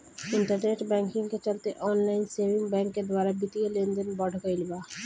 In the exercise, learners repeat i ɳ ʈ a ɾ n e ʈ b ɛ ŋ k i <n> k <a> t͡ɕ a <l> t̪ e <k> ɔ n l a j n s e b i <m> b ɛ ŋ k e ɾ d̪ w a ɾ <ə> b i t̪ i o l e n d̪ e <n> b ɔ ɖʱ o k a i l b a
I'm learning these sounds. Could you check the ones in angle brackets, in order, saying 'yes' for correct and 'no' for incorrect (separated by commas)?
no, no, yes, no, no, no, yes